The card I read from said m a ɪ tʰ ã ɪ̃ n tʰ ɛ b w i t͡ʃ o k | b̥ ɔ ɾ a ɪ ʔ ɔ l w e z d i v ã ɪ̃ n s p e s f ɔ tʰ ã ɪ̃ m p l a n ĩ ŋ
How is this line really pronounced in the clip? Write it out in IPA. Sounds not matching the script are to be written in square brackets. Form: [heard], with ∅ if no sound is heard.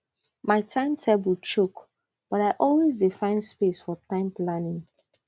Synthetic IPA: m a ɪ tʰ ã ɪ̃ [m] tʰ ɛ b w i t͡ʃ o k | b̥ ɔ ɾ a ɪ ʔ ɔ l w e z d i [f] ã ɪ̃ n s p e s f ɔ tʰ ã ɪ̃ m p l a n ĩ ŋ